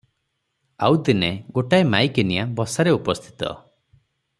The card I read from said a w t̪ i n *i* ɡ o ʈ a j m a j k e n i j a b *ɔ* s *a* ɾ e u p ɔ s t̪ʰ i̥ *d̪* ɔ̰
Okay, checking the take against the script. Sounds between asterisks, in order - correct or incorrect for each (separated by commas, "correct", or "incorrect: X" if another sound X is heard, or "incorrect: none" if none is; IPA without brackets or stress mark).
incorrect: e, correct, correct, incorrect: t̪